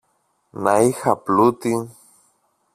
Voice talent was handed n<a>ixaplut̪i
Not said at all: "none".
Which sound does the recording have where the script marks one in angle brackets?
a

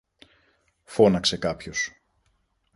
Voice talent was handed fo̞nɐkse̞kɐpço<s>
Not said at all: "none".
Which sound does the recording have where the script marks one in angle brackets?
s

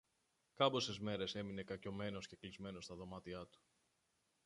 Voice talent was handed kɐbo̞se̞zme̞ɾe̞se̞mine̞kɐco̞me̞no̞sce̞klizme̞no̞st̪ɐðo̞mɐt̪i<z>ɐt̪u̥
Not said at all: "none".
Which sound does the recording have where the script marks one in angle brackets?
none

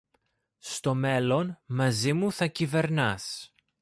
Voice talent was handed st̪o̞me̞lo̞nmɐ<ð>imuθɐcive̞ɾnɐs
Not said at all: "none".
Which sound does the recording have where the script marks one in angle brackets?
z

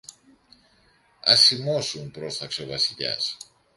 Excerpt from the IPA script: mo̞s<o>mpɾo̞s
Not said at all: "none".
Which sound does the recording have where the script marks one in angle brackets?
u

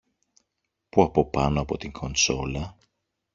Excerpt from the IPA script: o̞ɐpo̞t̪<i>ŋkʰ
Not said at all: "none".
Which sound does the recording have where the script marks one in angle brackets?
i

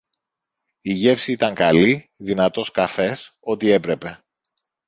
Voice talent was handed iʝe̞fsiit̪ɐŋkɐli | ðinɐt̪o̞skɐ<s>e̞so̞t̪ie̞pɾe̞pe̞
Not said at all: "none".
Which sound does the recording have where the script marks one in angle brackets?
f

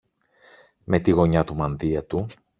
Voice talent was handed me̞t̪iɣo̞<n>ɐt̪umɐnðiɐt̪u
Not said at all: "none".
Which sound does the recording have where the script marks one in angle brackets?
ɲ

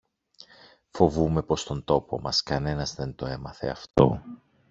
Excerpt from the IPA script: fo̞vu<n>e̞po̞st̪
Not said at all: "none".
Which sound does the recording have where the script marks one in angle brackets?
m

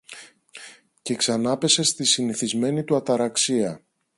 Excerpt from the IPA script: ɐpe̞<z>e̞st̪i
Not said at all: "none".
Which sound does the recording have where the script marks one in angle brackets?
s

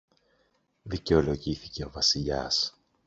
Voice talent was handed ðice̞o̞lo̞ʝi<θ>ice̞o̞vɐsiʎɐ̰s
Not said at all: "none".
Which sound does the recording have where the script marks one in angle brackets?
θ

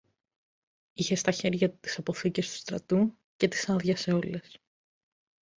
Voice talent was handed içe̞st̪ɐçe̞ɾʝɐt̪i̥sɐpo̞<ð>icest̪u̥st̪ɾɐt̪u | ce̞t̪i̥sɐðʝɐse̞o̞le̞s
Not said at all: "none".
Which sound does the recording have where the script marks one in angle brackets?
θ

